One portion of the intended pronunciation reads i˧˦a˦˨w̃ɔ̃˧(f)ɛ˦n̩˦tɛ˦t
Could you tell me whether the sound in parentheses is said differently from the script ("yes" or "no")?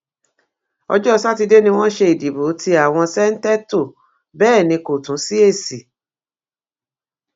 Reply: yes